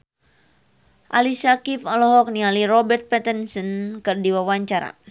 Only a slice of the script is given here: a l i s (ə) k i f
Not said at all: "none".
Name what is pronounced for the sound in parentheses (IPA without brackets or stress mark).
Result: a